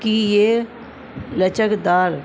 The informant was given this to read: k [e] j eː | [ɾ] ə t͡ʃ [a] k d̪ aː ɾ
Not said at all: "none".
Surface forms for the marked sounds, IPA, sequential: i, l, ə

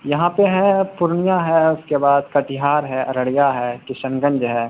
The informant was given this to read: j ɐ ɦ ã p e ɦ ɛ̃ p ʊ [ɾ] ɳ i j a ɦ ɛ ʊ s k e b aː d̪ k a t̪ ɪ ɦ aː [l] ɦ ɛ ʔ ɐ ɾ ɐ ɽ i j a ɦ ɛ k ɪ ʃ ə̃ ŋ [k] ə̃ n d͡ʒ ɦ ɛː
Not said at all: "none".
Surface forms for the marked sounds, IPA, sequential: ɾ, ɾ, ɡ

